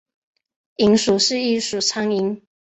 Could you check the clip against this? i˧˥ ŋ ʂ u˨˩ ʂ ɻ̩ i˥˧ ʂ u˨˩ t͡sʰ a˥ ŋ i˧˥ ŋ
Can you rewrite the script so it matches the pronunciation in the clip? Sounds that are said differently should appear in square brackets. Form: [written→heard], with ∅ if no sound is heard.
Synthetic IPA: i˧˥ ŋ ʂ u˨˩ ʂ ɻ̩ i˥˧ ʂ u˨˩ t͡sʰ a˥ ŋ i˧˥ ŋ